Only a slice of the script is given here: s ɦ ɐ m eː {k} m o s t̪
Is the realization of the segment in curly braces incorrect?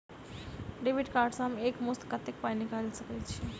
no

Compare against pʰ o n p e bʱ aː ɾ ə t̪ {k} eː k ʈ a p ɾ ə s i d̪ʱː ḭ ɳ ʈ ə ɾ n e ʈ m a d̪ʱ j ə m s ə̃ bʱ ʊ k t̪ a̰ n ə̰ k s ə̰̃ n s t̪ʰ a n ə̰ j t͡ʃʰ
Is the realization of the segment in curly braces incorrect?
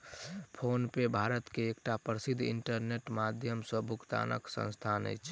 no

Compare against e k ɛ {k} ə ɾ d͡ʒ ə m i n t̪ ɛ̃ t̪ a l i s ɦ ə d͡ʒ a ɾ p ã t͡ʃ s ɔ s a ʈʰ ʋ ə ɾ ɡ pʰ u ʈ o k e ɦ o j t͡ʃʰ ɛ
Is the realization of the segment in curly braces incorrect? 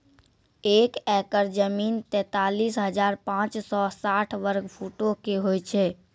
no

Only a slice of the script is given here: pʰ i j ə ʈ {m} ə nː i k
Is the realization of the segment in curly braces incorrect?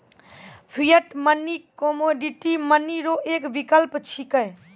no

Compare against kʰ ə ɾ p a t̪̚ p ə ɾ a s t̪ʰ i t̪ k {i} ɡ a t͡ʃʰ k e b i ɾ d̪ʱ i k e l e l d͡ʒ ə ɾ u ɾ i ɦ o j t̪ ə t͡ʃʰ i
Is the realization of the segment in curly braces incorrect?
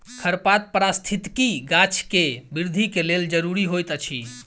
no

